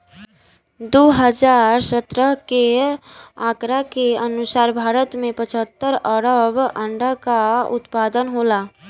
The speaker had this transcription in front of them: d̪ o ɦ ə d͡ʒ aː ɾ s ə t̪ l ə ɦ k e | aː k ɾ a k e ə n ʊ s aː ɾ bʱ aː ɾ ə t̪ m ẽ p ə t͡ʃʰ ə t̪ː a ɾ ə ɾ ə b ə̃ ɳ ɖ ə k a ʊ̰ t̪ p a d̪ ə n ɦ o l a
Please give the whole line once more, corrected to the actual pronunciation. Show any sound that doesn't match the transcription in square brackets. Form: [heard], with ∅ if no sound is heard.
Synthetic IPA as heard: d̪ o ɦ ə d͡ʒ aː ɾ s ə t̪ [ɾ] ə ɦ k e | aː k ɾ a k e ə n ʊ s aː ɾ bʱ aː ɾ ə t̪ m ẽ p ə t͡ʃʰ ə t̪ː [ə] ɾ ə ɾ ə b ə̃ ɳ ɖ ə k a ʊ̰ t̪ p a d̪ ə n ɦ o l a